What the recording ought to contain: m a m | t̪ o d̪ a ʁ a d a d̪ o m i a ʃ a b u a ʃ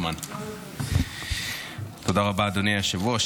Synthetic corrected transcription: m a n | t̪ o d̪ a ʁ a b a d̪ o n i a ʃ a v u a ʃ